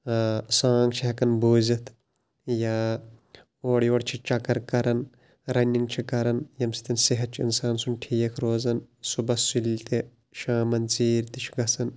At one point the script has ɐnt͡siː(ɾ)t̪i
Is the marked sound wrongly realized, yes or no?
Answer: no